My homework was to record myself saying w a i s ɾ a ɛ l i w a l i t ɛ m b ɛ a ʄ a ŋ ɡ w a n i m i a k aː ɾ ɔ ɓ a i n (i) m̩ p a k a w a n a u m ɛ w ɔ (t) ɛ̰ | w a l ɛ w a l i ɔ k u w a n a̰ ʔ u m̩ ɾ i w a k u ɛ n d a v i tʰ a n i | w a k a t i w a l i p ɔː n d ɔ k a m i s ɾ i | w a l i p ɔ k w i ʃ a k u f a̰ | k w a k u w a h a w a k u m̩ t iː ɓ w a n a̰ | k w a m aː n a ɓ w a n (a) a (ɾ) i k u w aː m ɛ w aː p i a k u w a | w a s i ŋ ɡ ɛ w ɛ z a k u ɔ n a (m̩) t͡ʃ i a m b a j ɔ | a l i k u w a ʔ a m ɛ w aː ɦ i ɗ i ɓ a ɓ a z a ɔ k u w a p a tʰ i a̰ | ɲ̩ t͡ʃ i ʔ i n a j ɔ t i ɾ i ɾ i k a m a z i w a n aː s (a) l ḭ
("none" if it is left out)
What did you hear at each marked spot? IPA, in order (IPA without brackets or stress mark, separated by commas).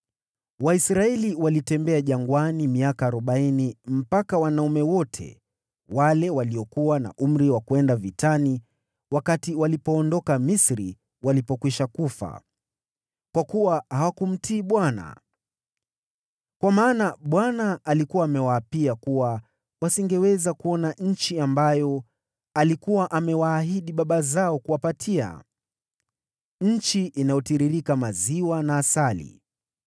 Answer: i, tʰ, a, l, ɲ̩, a